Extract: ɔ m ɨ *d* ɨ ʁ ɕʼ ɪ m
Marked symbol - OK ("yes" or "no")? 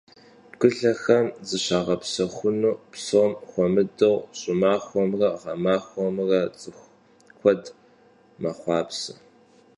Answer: yes